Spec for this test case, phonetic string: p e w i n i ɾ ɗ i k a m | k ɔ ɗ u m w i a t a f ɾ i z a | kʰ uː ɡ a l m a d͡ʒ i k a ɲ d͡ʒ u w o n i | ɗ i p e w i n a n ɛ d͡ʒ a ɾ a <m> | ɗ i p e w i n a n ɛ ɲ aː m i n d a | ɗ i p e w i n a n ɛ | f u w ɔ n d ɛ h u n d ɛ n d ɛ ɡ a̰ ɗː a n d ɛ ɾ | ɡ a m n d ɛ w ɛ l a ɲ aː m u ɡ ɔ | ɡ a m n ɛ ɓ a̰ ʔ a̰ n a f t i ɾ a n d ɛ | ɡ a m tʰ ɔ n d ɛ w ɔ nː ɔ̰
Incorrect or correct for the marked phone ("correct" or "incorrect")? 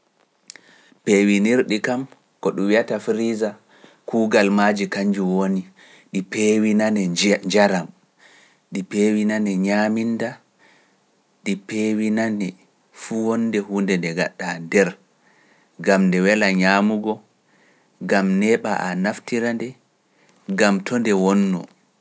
correct